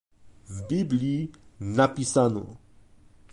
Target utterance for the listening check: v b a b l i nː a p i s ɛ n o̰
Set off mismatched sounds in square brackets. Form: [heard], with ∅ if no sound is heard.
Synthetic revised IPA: v b [i] b l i [n] a p i s [a] n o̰